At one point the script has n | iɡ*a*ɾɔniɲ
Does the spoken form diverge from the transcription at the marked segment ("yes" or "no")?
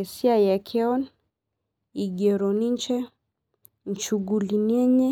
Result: yes